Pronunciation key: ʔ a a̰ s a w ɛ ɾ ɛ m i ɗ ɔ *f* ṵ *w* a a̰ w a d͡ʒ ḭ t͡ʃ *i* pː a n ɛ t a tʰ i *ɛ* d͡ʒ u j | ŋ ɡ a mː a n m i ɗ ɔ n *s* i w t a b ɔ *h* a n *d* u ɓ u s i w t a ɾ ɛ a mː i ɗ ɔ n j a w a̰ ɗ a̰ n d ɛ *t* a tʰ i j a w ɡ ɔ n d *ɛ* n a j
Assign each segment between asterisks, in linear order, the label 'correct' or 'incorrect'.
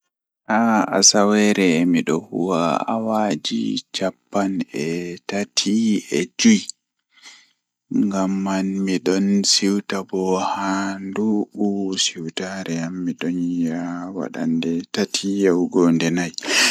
incorrect, correct, incorrect, correct, correct, correct, correct, correct, correct

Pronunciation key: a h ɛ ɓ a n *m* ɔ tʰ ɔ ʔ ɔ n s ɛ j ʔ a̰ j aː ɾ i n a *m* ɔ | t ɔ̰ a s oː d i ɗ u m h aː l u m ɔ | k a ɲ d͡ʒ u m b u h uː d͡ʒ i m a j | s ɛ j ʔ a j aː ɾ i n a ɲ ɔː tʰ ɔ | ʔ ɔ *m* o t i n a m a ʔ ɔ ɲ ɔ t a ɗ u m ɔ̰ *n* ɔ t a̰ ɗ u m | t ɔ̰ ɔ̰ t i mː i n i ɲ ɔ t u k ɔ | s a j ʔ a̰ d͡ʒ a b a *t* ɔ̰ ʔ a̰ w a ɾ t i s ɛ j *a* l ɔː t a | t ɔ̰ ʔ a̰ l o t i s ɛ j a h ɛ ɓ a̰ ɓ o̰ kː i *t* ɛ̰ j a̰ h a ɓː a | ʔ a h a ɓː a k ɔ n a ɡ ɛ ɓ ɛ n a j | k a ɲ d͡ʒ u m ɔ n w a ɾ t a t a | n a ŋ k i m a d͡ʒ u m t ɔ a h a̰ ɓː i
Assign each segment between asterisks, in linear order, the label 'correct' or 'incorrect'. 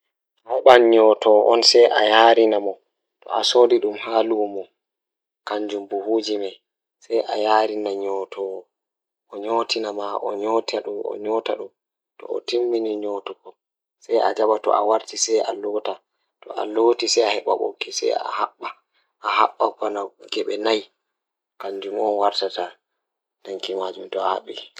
incorrect, correct, incorrect, incorrect, correct, correct, incorrect

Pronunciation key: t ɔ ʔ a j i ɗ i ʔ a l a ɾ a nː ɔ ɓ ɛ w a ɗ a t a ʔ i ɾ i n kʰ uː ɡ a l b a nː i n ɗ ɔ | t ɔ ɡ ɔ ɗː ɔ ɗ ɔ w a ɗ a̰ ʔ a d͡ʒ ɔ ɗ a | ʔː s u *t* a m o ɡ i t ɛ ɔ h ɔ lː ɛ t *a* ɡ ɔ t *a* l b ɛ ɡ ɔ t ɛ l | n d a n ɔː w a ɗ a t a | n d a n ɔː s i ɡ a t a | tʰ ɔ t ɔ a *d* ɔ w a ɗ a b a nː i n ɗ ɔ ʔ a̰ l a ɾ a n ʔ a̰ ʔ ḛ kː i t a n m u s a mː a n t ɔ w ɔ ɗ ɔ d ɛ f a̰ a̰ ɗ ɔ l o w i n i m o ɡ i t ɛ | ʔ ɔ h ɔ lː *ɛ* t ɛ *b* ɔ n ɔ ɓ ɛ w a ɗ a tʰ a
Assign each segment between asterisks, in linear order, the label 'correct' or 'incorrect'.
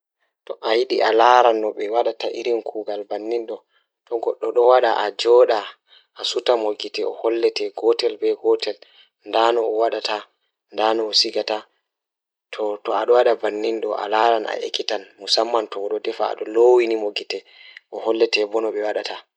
correct, incorrect, incorrect, incorrect, correct, correct

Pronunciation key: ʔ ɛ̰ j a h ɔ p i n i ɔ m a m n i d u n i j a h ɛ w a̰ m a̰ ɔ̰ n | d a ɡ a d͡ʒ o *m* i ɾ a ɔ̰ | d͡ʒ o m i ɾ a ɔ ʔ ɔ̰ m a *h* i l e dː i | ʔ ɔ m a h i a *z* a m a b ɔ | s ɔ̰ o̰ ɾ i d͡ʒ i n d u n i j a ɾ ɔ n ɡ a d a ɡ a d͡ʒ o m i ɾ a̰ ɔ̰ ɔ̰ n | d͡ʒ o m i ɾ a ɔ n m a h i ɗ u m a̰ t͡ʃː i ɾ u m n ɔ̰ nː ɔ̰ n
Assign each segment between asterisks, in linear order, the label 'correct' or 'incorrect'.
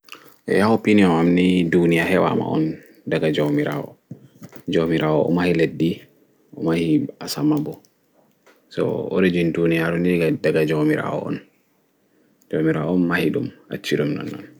correct, correct, incorrect

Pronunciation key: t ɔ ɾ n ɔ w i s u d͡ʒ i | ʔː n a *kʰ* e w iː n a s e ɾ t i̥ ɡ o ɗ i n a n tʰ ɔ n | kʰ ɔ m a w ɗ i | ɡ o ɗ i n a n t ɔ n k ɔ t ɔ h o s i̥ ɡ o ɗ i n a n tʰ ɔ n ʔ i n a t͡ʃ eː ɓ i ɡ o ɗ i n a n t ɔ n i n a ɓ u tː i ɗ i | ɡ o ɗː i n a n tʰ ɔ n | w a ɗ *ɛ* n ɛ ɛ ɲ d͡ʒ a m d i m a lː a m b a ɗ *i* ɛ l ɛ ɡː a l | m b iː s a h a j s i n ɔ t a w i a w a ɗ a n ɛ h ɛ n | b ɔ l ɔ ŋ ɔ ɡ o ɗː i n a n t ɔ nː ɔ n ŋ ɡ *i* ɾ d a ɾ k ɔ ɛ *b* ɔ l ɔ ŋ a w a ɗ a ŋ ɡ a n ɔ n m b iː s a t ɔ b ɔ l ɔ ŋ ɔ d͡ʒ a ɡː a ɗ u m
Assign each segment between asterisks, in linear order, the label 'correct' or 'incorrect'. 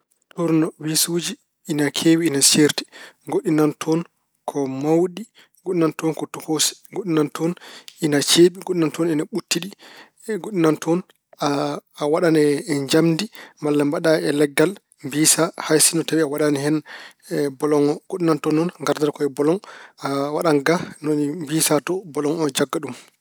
correct, incorrect, incorrect, incorrect, correct

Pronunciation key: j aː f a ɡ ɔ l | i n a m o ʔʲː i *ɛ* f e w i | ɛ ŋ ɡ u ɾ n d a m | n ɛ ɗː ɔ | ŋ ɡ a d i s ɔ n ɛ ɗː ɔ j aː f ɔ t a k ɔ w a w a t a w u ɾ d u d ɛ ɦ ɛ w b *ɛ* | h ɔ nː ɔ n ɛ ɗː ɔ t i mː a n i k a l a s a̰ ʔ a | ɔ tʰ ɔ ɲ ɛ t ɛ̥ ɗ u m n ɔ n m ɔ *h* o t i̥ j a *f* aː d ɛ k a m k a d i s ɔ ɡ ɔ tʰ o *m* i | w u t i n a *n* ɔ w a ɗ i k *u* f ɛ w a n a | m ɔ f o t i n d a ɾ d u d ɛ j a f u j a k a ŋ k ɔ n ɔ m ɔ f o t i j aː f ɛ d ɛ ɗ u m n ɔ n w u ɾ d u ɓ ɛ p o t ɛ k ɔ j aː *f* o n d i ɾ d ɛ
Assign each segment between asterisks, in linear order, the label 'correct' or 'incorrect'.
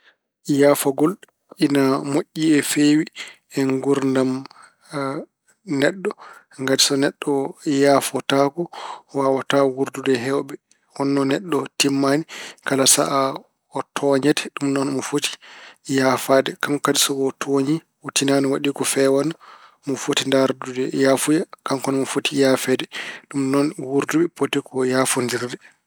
correct, correct, incorrect, correct, incorrect, correct, incorrect, correct

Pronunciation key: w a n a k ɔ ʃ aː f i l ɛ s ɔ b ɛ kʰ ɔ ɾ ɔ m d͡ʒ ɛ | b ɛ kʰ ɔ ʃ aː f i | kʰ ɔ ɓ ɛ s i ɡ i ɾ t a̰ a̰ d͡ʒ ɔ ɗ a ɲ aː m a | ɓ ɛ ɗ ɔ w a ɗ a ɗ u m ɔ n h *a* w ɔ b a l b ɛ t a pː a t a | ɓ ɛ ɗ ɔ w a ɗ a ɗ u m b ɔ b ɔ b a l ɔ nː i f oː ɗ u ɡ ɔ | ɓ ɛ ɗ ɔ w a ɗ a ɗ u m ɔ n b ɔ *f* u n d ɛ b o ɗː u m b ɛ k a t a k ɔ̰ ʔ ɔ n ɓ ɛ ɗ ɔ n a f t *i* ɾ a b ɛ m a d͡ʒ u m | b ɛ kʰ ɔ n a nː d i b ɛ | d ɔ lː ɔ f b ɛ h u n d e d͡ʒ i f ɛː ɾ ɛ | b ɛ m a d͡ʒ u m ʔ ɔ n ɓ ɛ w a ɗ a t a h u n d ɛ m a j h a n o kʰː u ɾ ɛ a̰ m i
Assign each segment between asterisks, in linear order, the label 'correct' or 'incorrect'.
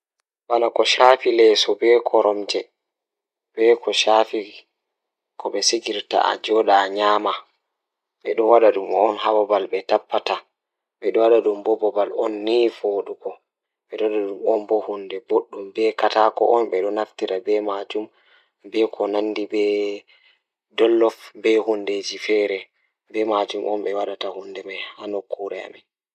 correct, incorrect, correct

